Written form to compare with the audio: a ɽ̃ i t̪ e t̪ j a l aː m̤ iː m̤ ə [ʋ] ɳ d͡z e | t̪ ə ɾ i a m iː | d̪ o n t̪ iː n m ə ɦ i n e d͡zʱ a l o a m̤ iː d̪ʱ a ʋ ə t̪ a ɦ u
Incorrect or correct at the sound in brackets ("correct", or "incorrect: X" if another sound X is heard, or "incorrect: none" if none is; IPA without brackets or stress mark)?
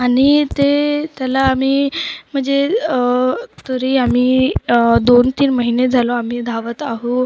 incorrect: none